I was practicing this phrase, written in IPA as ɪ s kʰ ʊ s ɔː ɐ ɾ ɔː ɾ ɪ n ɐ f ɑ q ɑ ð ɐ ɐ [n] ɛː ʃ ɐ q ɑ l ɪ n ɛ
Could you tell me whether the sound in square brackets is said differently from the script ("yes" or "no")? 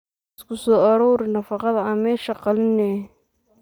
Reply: yes